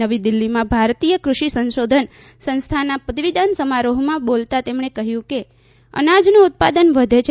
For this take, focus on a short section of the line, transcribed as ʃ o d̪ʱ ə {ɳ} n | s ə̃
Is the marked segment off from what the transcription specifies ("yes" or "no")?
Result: yes